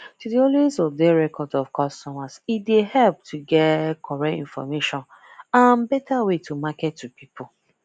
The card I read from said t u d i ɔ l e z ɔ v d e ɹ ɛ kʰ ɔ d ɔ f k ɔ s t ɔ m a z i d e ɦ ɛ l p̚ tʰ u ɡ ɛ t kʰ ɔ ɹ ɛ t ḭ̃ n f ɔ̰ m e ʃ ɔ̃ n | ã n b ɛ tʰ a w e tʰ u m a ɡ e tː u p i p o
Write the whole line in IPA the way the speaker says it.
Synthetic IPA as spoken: t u d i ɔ l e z ɔ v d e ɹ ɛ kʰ ɔ d ɔ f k ɔ s t ɔ m a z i d e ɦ ɛ l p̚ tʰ u ɡ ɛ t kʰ ɔ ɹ ɛ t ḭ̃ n f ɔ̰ m e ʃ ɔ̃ n | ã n b ɛ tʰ a w e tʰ u m a k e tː u p i p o